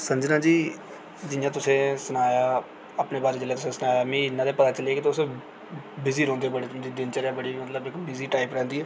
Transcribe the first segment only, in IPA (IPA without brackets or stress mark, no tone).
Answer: s